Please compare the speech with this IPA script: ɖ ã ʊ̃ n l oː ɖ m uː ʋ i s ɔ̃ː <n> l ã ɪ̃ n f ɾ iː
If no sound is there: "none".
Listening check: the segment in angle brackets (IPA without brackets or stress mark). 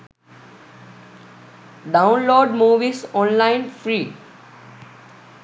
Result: n